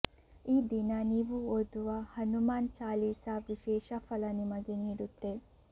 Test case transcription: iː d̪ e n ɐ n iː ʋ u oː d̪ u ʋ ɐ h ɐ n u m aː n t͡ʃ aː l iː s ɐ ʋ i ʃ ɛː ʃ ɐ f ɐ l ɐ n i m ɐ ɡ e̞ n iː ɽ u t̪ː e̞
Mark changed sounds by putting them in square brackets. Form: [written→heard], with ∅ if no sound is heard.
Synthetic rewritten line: iː d̪ [e→i] n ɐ n iː ʋ u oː d̪ u ʋ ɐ h ɐ n u m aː n t͡ʃ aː l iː s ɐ ʋ i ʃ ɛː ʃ ɐ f ɐ l ɐ n i m ɐ ɡ e̞ n iː ɽ u t̪ː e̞